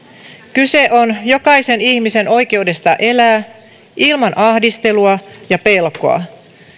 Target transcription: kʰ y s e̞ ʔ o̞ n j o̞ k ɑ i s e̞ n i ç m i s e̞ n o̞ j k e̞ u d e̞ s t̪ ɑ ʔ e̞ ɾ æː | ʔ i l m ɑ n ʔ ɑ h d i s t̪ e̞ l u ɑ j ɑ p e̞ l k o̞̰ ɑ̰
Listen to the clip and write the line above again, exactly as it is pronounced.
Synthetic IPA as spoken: k y s e̞ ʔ o̞ n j o̞ k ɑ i s e̞ n i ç m i s e̞ n o̞ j k e̞ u d e̞ s t̪ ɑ ʔ e̞ l æː | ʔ i l m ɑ n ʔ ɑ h d i s t̪ e̞ l u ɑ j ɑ p e̞ l k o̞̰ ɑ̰